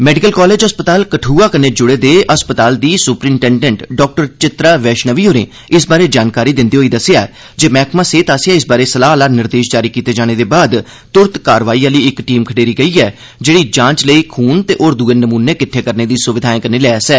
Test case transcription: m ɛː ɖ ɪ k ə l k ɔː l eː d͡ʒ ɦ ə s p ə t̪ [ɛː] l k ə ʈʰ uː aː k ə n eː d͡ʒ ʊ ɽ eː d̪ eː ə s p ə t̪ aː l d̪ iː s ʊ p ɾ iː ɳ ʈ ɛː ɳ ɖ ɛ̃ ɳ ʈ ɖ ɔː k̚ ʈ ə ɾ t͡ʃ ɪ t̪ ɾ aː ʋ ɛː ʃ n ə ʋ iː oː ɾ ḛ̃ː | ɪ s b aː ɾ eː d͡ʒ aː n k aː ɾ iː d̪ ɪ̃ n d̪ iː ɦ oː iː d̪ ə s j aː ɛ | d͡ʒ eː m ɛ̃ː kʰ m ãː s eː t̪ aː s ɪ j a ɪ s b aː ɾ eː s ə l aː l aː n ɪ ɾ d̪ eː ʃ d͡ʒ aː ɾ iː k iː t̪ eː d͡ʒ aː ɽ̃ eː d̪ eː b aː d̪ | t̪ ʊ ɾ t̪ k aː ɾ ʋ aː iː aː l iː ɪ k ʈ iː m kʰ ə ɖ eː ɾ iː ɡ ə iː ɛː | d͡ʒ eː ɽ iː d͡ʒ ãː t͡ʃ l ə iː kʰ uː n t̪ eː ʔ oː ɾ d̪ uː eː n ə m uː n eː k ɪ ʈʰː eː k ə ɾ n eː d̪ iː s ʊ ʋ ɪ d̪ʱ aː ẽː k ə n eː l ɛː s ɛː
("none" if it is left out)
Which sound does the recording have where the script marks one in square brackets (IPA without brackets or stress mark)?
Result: aː